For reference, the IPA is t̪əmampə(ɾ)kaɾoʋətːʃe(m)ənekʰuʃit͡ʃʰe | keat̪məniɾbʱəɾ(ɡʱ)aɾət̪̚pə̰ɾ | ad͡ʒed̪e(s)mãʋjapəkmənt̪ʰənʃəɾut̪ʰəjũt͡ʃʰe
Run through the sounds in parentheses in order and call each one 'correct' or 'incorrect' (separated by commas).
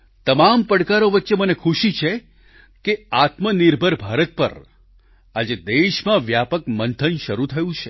incorrect, correct, incorrect, incorrect